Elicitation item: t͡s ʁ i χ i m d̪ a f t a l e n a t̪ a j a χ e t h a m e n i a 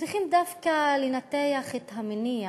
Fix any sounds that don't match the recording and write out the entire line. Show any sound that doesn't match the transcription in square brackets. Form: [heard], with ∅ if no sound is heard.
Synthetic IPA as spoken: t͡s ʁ i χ i m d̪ a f [k] a l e n a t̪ [e] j a χ e t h a m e n i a